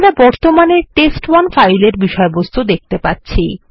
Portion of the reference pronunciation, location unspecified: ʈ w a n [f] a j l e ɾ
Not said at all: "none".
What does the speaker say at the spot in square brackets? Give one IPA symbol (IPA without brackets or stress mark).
f